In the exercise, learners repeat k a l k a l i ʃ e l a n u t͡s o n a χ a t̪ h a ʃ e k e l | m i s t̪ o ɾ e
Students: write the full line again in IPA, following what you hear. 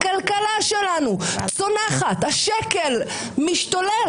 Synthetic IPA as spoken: k a l k a l a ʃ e l a n u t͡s o n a χ a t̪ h a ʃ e k e l | m i ʃ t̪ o l e